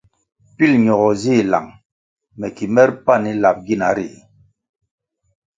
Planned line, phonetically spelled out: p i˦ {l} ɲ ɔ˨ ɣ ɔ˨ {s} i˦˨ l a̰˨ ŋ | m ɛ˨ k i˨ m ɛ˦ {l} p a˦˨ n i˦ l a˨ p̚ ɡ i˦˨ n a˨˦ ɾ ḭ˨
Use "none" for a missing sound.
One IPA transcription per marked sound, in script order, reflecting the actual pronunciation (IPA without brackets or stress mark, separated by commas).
l, z, ɾ